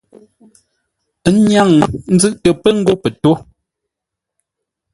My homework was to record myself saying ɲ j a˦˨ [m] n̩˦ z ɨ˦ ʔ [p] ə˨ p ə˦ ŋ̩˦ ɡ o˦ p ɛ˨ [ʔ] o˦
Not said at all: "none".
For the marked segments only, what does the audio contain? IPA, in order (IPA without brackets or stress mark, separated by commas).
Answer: ŋ, t, t